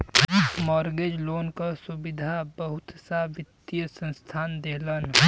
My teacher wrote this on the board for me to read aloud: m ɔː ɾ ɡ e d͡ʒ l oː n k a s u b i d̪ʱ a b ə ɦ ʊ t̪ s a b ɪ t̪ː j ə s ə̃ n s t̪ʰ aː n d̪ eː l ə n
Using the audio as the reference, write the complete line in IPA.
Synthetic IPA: m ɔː ɾ ɡ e d͡ʒ l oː n k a s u b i d̪ʱ a b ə ɦ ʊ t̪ s a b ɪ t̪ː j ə s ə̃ n s t̪ʰ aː n d̪ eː l ə n